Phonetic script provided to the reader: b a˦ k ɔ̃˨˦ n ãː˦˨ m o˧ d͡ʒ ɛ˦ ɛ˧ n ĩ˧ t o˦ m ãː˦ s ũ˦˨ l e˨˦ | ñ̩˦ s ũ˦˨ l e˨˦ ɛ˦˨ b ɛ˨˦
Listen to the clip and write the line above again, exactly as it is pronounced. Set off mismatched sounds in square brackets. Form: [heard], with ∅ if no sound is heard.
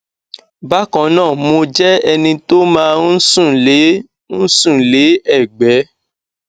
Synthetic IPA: b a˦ k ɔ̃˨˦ n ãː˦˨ m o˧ d͡ʒ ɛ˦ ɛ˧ n ĩ˧ t o˦ m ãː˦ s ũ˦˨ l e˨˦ | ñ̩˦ s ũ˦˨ l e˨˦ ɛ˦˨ [ɡ͡b] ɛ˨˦